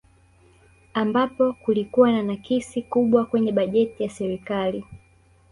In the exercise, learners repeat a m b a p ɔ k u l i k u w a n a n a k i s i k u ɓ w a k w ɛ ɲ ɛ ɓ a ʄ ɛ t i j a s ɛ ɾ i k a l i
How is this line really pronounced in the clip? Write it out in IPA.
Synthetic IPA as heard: a m b a p ɔ k u l i k u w a n a n a k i s i k u ɓ w a k w ɛ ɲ ɛ ɓ a ʄ ɛ t i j a s ɛ ɾ i k a l i